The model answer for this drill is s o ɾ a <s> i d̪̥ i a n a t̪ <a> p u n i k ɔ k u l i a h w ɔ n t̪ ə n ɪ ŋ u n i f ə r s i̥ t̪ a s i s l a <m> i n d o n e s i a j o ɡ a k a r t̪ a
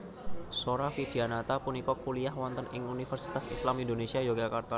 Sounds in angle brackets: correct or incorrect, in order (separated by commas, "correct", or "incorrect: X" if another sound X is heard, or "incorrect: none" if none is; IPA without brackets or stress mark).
incorrect: f, correct, correct